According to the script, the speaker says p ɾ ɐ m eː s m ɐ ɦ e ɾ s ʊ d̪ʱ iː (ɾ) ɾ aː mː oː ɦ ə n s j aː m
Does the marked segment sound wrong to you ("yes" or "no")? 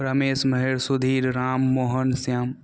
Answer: no